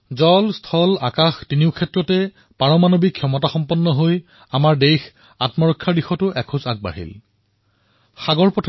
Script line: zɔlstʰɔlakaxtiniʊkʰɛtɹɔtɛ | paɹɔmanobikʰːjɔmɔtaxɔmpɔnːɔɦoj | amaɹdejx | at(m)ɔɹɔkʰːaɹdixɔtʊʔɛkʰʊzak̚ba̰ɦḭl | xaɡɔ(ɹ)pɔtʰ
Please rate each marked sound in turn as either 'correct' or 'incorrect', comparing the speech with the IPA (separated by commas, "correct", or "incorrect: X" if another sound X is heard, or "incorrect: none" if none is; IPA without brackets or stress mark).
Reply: correct, correct